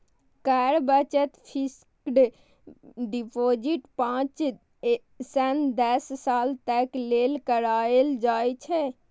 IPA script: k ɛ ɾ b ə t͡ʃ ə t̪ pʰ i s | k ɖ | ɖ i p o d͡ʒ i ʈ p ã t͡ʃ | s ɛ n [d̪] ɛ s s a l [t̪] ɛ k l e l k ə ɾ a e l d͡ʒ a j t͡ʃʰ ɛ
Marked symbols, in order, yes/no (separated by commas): yes, yes